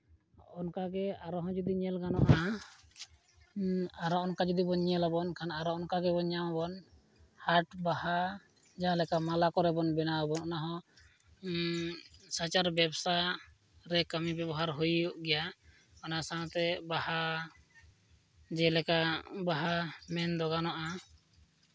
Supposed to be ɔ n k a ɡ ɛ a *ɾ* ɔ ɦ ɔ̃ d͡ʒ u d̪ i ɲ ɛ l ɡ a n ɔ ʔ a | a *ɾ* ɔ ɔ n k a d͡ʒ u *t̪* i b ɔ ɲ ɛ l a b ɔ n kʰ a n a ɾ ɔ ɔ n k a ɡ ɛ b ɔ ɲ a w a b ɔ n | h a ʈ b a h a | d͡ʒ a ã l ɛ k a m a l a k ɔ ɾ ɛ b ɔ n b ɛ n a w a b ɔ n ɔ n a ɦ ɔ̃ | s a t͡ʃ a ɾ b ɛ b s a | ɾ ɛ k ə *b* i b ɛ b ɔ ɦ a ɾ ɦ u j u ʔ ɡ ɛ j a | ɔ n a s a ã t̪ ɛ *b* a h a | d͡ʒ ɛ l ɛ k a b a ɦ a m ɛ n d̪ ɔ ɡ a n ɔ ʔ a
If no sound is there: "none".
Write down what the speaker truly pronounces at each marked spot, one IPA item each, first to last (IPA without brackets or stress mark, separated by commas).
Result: ɾ, ɾ, d̪, m, b